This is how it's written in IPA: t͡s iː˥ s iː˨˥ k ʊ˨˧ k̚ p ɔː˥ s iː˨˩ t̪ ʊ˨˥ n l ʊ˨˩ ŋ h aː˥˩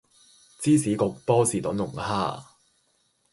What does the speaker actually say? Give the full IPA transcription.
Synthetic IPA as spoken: t͡s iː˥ s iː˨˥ k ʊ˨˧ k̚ p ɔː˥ s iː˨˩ t̪ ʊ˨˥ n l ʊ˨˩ ŋ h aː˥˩